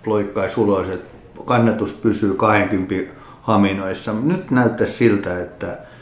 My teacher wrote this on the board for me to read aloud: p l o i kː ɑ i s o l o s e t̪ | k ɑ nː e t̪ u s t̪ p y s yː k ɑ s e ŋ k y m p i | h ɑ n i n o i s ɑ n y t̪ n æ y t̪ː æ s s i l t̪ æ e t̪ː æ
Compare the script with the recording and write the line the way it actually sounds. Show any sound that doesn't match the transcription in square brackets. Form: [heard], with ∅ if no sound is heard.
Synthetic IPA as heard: p l o i kː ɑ i s [u] l o s e t̪ | k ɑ nː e t̪ u s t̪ p y s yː k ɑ [h] e ŋ k y m p i | h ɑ [m] i n o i [sː] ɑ n y t̪ n æ y t̪ː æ s s i l t̪ æ e t̪ː æ